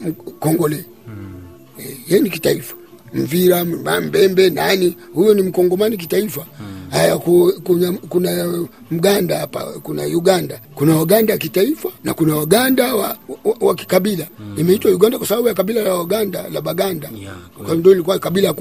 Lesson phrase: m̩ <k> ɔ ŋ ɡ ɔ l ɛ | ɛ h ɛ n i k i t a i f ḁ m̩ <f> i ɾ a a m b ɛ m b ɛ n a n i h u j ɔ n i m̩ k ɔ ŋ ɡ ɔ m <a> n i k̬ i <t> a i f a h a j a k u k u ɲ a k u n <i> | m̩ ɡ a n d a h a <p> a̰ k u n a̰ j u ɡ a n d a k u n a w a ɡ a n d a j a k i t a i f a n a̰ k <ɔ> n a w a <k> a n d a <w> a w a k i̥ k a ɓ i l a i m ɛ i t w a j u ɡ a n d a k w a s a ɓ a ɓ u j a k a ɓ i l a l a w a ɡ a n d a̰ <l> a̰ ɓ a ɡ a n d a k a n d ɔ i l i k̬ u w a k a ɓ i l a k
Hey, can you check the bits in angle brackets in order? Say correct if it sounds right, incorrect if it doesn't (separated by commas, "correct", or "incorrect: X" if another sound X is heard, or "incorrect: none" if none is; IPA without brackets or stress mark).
correct, incorrect: v, correct, correct, incorrect: a, correct, incorrect: u, incorrect: ɡ, correct, correct